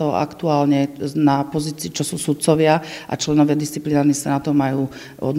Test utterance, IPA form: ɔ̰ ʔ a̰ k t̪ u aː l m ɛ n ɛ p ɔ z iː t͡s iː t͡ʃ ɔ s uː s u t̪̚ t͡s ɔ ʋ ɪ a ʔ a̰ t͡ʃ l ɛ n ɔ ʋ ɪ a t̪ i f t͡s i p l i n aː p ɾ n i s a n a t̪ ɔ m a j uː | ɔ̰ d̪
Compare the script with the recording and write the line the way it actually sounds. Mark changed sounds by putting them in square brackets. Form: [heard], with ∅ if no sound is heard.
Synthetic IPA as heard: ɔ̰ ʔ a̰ k t̪ u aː l [ɲ] ɛ n [a] p ɔ z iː t͡s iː t͡ʃ ɔ s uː s u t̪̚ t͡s ɔ ʋ ɪ a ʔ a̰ t͡ʃ l ɛ n ɔ ʋ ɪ a [d̪] i [s] t͡s i p l i n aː [∅] ɾ n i s a n a t̪ ɔ m a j uː | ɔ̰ d̪